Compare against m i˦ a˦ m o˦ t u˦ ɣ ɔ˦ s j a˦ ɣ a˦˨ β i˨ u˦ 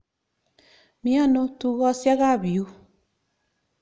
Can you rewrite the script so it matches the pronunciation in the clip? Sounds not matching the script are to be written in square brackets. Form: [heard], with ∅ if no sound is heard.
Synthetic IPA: m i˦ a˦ [n] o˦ t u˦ ɣ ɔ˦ s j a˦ ɣ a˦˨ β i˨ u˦